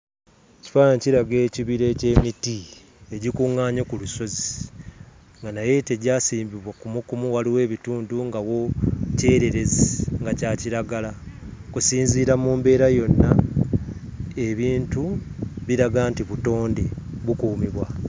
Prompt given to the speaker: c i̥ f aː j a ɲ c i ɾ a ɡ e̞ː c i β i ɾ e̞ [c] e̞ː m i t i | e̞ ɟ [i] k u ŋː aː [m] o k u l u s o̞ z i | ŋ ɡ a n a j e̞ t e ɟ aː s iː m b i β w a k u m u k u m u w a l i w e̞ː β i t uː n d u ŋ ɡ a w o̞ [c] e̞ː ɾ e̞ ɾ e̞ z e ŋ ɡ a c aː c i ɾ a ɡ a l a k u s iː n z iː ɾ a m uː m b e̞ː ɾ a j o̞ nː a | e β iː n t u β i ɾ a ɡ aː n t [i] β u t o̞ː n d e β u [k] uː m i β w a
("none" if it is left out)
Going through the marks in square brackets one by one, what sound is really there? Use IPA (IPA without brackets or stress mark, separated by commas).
c, i, ɲ, c, i, k